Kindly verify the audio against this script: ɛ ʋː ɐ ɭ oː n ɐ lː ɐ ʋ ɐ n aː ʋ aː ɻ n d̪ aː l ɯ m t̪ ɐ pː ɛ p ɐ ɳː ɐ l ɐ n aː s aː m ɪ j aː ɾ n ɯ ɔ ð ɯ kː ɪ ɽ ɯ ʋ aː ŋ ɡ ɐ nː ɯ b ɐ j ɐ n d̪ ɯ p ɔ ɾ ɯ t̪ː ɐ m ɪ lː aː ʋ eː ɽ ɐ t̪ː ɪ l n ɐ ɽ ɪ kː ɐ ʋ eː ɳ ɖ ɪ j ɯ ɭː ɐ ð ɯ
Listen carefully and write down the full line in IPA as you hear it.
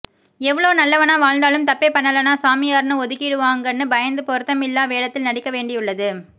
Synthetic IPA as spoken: ɛ ʋː ɐ ɭ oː n ɐ lː ɐ ʋ ɐ n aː ʋ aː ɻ n d̪ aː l ɯ m t̪ ɐ pː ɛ p ɐ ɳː ɐ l ɐ n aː s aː m ɪ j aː ɾ n ɯ ɔ ð ɯ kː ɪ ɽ ɯ ʋ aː ŋ ɡ ɐ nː ɯ b ɐ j ɐ n d̪ ɯ p ɔ ɾ ɯ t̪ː ɐ m ɪ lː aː ʋ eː ɽ ɐ t̪ː ɪ l n ɐ ɽ ɪ kː ɐ ʋ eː ɳ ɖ ɪ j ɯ ɭː ɐ ð ɯ

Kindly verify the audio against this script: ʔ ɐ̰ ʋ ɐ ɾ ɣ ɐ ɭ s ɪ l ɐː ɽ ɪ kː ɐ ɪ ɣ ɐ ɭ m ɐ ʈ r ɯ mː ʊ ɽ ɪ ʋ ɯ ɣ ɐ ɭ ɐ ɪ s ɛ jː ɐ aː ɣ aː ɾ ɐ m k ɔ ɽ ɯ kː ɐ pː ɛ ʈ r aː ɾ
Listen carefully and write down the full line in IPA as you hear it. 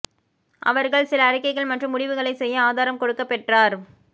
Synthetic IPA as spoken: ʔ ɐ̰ ʋ ɐ ɾ ɣ ɐ ɭ s ɪ l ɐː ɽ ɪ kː ɐ ɪ ɣ ɐ ɭ m ɐ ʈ r ɯ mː ʊ ɽ ɪ ʋ ɯ ɣ ɐ ɭ ɐ ɪ s ɛ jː ɐ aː ð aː ɾ ɐ m k ɔ ɽ ɯ kː ɐ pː ɛ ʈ r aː ɾ

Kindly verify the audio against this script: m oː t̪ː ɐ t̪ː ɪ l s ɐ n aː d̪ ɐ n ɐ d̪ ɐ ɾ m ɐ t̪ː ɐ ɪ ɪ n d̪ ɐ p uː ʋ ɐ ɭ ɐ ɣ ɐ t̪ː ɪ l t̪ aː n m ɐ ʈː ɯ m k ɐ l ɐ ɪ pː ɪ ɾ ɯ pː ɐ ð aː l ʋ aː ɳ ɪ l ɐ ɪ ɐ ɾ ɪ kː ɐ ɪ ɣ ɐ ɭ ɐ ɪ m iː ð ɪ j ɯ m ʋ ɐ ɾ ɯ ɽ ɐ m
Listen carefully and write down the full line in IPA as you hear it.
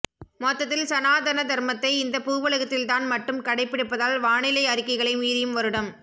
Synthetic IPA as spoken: m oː t̪ː ɐ t̪ː ɪ l s ɐ n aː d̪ ɐ n ɐ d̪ ɐ ɾ m ɐ t̪ː ɐ ɪ ɪ n d̪ ɐ p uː ʋ ɐ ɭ ɐ ɣ ɐ t̪ː ɪ l t̪ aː n m ɐ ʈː ɯ m k ɐ ɽ ɐ ɪ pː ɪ ɽ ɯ pː ɐ ð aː l ʋ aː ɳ ɪ l ɐ ɪ ɐ ɾ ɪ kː ɐ ɪ ɣ ɐ ɭ ɐ ɪ m iː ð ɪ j ɯ m ʋ ɐ ɾ ɯ ɽ ɐ m

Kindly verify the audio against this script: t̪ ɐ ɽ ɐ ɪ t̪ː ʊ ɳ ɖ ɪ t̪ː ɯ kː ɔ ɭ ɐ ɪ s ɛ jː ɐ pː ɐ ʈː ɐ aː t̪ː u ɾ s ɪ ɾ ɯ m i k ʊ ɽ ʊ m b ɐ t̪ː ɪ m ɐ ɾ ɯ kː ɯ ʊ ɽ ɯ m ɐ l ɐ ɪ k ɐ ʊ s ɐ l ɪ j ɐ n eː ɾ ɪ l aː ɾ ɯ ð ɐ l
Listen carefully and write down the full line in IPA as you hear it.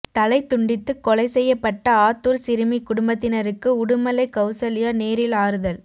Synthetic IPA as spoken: t̪ ɐ l ɐ ɪ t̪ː ʊ ɳ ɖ ɪ t̪ː ɯ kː ɔ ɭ ɐ ɪ s ɛ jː ɐ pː ɐ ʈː ɐ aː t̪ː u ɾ s ɪ ɾ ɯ m i k ʊ ɽ ʊ m b ɐ t̪ː ɪ n ɐ ɾ ɯ kː ɯ ʊ ɽ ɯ m ɐ l ɐ ɪ k ɐ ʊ s ɐ l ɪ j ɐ n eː ɾ ɪ l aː ɾ ɯ ð ɐ l

